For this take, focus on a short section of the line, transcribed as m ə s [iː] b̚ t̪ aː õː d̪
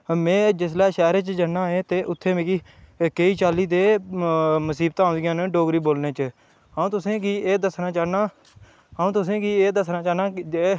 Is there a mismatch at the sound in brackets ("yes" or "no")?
no